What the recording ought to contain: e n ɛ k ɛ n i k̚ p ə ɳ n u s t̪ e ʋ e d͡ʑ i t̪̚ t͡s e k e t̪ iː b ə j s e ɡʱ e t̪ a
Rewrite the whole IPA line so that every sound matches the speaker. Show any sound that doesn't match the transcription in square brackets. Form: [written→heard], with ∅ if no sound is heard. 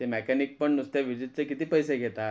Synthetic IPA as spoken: e [n→m] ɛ k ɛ n i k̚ p ə ɳ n u s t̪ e ʋ [e→i] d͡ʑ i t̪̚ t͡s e k [e→i] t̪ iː [b→p] ə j s e ɡʱ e t̪ a